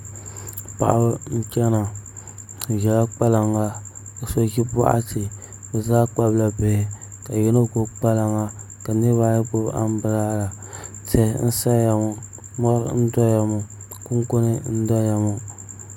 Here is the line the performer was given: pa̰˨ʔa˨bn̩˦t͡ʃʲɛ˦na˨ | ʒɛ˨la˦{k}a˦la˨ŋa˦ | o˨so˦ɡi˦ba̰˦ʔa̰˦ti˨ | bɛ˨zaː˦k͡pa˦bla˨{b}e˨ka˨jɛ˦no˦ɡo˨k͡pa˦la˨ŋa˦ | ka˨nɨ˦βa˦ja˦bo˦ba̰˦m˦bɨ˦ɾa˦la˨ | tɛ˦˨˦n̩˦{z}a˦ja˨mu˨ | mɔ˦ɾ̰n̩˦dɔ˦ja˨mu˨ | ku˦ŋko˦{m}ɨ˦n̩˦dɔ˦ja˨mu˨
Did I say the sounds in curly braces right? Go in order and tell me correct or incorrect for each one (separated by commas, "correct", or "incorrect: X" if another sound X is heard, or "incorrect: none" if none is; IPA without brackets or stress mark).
incorrect: k͡p, correct, incorrect: s, incorrect: n